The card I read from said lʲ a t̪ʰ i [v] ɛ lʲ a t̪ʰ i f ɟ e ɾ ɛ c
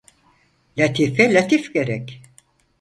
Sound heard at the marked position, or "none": f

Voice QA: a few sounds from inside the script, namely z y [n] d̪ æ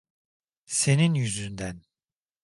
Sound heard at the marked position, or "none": n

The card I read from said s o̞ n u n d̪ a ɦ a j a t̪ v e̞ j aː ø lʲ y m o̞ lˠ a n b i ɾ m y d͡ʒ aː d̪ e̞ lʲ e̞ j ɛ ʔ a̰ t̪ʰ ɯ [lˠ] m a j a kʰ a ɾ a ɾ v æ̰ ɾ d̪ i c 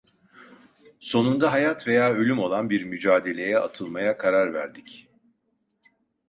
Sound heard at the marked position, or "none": lˠ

